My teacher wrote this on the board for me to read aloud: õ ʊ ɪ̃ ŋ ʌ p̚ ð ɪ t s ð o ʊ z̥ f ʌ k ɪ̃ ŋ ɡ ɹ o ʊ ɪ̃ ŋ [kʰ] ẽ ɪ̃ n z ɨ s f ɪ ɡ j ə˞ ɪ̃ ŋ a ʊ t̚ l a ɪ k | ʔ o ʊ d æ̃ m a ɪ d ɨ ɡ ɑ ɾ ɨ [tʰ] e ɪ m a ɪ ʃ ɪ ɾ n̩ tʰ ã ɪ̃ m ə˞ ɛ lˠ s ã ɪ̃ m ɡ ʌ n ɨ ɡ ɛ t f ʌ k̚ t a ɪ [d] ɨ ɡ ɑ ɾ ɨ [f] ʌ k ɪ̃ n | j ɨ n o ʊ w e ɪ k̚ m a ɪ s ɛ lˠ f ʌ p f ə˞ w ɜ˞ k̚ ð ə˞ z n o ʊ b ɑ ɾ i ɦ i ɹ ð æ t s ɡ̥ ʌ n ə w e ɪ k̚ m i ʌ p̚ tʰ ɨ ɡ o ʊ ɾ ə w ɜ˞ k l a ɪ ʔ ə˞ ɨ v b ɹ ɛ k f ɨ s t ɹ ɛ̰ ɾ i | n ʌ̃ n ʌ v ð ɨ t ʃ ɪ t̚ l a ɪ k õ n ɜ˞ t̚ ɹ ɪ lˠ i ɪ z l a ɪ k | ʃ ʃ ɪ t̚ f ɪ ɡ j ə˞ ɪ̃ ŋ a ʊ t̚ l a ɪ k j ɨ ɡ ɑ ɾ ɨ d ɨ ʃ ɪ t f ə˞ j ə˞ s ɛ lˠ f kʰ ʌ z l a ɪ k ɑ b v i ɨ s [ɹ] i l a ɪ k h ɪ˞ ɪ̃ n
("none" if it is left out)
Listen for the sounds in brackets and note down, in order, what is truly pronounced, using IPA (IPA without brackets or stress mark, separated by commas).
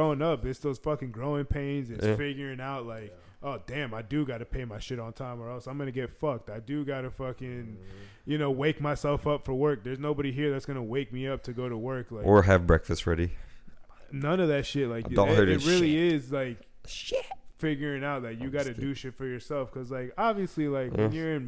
pʰ, pʰ, d, f, l